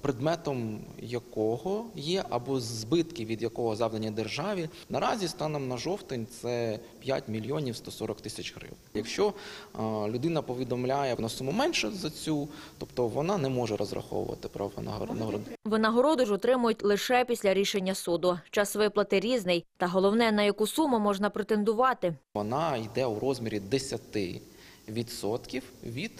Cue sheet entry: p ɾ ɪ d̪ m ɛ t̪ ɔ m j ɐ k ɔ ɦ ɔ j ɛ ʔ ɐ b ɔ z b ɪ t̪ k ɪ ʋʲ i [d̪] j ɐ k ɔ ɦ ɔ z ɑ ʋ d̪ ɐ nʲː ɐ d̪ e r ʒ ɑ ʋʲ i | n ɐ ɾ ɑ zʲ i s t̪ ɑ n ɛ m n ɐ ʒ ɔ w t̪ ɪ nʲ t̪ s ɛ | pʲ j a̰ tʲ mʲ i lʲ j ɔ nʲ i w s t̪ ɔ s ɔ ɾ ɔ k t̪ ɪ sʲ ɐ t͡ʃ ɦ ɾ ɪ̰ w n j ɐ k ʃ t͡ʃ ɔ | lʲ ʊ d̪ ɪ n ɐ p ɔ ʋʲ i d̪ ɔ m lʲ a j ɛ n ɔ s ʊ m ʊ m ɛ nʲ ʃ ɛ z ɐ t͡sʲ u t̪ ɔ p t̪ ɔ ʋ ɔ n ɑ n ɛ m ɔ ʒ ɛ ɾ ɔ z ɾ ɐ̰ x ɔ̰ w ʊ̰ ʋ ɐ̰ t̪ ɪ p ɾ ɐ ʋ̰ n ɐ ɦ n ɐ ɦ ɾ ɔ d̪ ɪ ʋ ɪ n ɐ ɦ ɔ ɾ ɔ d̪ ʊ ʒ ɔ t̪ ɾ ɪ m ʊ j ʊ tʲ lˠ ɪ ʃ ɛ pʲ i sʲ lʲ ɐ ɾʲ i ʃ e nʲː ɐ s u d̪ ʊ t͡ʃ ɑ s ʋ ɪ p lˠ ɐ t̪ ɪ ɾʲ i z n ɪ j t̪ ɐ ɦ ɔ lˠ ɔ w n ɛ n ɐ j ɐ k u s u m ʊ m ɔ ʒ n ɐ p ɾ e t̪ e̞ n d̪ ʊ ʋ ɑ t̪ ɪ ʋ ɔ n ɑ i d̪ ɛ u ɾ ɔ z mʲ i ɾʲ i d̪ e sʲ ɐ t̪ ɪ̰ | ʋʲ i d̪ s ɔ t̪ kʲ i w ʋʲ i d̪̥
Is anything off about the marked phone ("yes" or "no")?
no